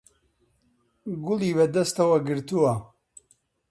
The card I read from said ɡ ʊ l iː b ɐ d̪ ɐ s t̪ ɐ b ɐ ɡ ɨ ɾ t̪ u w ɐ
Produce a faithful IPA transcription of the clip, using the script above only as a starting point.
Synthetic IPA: ɡ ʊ l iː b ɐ d̪ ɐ s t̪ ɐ w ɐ ɡ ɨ ɾ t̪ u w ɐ